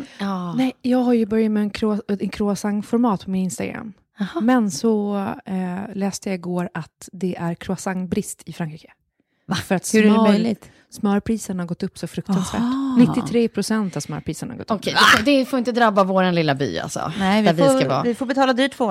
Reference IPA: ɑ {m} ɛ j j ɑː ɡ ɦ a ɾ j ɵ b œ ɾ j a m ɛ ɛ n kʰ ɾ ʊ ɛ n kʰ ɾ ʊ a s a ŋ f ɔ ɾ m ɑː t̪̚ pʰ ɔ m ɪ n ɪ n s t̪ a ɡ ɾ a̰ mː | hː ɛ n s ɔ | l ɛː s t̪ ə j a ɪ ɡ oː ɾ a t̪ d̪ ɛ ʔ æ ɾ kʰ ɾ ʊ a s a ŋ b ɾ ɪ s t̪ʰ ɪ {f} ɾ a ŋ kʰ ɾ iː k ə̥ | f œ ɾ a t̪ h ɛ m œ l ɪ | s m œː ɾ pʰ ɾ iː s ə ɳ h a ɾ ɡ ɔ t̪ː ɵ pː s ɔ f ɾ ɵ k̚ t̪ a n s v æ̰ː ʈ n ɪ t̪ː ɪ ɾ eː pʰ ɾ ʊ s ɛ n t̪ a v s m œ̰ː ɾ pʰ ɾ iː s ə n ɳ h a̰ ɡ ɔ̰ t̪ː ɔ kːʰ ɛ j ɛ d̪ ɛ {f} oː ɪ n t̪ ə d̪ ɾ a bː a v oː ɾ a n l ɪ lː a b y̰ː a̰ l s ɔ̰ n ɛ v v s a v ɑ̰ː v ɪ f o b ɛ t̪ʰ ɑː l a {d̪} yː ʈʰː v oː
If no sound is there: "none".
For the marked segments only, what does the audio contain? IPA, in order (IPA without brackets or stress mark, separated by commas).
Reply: n, f, f, d̪